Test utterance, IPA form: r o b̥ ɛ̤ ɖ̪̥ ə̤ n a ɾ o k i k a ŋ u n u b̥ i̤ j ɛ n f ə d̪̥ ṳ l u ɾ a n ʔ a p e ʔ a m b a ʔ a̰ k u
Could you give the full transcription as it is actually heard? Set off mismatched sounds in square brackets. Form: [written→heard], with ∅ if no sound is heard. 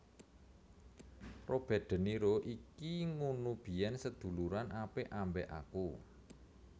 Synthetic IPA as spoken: r o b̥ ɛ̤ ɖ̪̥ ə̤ n [a→i] ɾ o [k→ʔ] i k [a→i] ŋ u n u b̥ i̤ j ɛ n [f→s] ə d̪̥ ṳ l u ɾ a n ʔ a p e ʔ a m b [a→ɛ] ʔ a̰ k u